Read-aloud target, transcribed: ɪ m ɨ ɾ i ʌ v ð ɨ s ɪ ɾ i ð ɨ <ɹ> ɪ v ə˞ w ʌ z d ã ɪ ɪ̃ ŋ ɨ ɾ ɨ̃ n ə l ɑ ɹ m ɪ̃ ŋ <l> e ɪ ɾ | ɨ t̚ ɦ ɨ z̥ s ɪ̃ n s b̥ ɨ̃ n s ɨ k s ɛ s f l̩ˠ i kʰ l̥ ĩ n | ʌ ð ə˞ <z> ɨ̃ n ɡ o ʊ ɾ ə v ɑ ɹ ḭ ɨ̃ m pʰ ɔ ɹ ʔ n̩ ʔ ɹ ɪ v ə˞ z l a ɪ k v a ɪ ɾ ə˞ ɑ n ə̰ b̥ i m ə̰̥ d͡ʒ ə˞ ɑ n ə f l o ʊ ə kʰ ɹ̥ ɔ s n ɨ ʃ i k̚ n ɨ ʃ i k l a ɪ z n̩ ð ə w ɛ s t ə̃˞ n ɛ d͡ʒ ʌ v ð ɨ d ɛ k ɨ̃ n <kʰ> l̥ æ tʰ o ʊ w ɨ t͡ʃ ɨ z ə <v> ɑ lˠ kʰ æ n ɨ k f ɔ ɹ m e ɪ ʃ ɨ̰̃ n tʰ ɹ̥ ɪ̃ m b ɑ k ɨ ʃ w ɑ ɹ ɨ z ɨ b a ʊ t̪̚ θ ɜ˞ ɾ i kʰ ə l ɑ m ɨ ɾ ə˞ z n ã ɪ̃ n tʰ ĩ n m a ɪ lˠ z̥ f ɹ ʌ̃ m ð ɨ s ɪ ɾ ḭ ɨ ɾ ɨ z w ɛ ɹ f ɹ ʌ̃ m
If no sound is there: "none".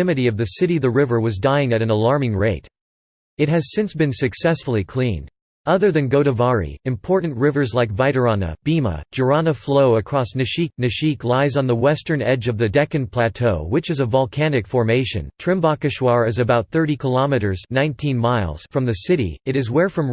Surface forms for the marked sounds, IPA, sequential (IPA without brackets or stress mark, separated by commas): ɹ, ɹ, ð, pʰ, v